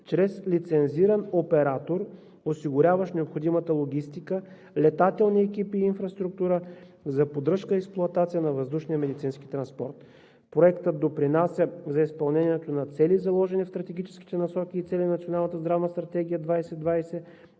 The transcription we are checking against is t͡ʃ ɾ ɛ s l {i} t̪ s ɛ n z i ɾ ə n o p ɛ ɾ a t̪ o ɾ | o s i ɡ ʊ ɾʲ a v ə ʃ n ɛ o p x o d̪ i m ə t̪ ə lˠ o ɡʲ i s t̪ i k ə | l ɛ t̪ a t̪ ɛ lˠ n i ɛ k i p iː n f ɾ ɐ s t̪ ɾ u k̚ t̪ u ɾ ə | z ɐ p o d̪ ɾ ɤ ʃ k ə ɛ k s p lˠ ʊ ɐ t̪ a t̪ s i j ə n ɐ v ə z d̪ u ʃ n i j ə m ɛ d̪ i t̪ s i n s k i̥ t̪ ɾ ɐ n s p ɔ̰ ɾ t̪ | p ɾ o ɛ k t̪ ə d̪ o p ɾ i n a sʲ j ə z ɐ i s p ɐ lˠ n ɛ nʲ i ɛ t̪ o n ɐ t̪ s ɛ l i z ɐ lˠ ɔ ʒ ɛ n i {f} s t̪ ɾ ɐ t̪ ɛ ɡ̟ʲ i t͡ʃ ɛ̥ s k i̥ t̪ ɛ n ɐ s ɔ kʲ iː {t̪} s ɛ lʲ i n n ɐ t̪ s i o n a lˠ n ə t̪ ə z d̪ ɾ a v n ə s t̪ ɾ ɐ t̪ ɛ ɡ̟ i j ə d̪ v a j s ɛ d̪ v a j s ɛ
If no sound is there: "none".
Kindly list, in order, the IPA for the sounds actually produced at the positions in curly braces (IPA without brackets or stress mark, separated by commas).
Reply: i, f, t̪